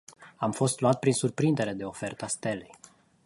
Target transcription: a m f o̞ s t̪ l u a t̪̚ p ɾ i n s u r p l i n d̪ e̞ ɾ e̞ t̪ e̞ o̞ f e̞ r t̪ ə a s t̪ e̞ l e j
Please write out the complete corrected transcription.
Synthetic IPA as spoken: a m f o̞ s t̪ l u a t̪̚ p ɾ i n s u r p ɾ i n d̪ e̞ ɾ e̞ d̪ e̞ o̞ f e̞ r t̪ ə a s t̪ e̞ l e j